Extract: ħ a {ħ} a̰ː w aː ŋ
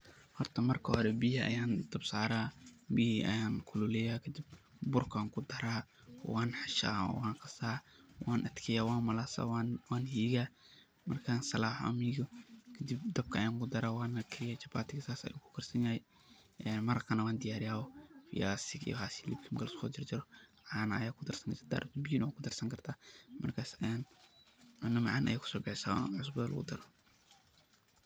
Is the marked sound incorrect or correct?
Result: incorrect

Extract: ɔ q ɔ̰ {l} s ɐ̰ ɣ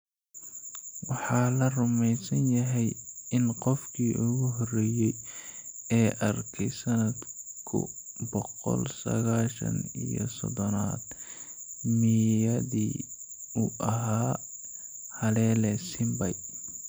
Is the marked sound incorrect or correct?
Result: correct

